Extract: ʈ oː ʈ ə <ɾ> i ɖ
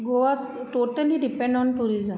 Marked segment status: incorrect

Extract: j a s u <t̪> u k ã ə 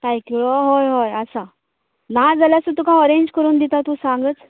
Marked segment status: correct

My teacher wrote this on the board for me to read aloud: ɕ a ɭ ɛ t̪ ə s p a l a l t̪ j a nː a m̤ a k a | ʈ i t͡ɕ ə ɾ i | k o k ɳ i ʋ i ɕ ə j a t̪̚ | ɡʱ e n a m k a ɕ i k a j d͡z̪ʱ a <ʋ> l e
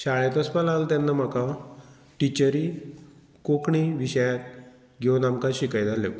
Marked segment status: incorrect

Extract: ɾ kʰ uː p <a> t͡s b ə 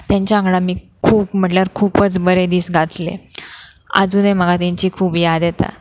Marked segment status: incorrect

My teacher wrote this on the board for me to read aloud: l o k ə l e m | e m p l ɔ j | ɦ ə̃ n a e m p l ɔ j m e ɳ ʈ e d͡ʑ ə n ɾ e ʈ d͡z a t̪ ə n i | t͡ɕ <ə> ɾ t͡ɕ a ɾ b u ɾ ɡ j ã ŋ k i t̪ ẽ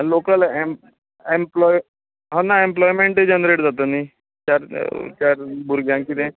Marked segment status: incorrect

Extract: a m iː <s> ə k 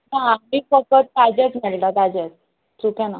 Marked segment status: incorrect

